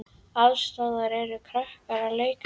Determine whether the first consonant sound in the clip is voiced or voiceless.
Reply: voiced